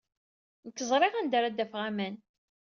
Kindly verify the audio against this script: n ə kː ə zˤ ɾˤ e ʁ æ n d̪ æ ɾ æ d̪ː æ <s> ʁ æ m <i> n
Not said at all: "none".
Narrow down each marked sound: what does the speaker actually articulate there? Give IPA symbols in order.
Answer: f, æ

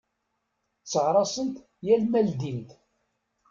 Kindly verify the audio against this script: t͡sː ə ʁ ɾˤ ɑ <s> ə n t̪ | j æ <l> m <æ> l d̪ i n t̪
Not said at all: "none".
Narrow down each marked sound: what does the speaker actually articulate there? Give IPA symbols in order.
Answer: s, l, æ

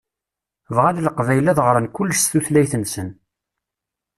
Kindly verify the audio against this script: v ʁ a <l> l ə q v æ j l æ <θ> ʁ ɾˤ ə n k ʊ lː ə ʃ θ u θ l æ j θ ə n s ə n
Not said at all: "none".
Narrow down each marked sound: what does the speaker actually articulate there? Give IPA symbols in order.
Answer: l, ð

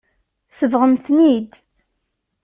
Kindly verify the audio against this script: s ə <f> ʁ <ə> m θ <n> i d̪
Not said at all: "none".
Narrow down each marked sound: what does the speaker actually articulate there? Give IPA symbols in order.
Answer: v, ə, n

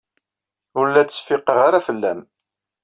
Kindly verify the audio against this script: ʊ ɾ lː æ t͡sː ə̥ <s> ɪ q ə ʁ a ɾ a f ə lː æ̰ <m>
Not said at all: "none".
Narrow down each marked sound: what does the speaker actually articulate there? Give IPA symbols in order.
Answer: f, m

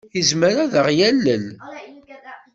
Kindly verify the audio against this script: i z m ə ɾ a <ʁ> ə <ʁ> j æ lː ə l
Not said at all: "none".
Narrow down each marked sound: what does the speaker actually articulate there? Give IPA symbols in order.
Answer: ð, ʁ

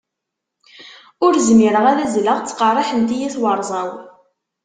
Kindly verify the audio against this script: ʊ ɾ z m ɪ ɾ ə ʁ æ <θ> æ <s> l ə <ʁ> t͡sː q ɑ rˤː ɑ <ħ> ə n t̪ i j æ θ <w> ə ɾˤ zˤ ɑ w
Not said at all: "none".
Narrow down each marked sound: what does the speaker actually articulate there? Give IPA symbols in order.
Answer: ð, z, ʁ, ħ, w

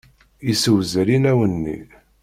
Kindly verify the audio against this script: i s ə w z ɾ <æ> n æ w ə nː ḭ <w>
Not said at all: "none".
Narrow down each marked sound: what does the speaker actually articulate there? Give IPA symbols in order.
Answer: i, none

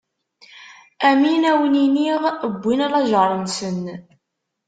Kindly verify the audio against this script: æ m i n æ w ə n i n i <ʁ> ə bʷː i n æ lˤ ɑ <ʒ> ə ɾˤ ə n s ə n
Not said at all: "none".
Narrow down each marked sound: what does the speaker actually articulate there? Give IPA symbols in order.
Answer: ʁ, ʒ

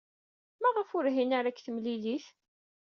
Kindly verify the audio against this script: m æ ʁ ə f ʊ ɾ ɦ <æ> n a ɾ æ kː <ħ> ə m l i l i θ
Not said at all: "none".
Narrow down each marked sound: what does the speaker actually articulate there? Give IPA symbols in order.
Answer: i, θ

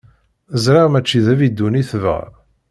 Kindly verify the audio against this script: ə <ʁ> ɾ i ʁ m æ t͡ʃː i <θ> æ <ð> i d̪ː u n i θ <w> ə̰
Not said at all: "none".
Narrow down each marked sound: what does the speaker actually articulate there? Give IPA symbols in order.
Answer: z, ð, v, v

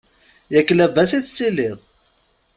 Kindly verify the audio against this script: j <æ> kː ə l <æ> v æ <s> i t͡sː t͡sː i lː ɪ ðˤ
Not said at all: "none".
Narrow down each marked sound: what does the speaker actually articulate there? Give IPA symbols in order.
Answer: æ, æ, s

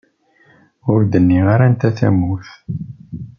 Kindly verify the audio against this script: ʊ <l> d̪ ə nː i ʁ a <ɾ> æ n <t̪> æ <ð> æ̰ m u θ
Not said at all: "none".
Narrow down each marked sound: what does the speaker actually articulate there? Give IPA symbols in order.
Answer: ɾ, ɾ, t̪, θ

